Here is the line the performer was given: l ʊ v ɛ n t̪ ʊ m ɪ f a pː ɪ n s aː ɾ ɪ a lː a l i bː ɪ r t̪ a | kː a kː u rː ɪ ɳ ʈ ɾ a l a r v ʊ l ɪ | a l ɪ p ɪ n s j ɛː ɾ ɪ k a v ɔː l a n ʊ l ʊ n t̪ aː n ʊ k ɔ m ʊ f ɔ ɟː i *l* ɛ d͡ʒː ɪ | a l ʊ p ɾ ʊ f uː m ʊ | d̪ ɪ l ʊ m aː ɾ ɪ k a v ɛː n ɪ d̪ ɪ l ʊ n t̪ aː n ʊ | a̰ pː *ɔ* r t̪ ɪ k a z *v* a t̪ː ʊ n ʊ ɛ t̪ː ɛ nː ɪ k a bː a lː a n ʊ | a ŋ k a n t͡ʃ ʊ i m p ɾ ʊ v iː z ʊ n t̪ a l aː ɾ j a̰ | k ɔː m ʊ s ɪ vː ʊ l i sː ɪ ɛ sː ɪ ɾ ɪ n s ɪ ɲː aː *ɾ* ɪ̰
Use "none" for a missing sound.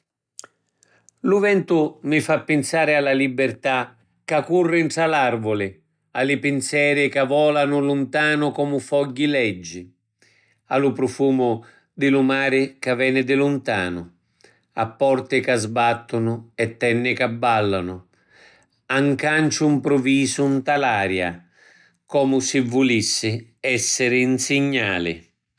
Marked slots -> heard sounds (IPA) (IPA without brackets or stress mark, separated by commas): l, ɔ, b, l